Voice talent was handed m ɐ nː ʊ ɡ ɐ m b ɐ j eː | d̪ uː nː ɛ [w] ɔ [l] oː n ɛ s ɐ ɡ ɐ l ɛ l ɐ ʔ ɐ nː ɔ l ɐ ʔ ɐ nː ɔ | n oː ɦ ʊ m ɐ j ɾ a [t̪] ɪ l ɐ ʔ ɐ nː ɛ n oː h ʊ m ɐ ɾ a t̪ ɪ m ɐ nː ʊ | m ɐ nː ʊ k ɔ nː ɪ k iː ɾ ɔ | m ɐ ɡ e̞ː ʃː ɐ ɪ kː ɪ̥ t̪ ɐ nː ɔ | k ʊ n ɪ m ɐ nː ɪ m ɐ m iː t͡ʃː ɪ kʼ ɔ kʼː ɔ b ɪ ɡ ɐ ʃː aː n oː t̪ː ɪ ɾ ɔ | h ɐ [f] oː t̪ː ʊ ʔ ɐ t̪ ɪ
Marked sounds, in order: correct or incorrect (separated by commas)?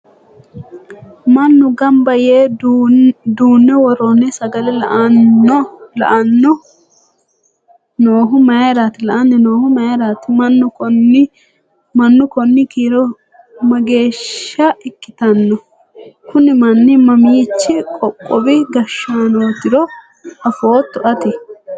correct, incorrect, correct, correct